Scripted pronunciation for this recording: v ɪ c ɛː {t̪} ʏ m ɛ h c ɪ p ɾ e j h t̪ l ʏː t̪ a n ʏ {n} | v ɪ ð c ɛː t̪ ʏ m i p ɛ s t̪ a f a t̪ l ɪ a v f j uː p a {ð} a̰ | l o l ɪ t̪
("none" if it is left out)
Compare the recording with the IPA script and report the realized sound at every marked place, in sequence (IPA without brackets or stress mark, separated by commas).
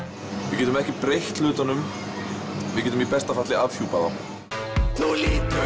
t̪, m, ð